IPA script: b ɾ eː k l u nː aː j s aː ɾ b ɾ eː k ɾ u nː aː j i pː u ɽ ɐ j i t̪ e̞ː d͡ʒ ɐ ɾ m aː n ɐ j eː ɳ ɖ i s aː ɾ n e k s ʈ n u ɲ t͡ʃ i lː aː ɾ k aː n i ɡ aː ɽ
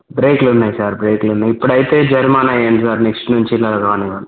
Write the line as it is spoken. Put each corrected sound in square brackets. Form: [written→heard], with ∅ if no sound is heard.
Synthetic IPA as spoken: b ɾ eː k l u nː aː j s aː ɾ b ɾ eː k [ɾ→l] u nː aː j i pː u ɽ ɐ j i t̪ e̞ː d͡ʒ ɐ ɾ m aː n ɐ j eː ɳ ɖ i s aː ɾ n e k s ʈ n u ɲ t͡ʃ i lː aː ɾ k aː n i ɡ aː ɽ